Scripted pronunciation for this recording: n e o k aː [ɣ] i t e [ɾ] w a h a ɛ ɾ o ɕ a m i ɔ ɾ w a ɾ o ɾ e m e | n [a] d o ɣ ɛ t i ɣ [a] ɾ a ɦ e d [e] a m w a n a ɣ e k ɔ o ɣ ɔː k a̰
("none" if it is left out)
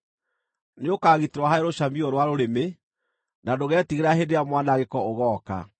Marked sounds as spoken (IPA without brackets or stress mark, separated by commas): ɣ, ɾ, a, e, e